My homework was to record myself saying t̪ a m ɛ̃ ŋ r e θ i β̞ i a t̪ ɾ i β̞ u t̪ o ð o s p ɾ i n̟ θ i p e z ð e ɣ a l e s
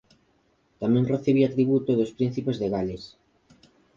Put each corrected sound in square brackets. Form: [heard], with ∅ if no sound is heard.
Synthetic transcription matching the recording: t̪ a m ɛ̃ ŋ r e θ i β̞ i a t̪ ɾ i β̞ u t̪ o ð o s p ɾ i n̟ θ i p e z ð e ɣ a l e s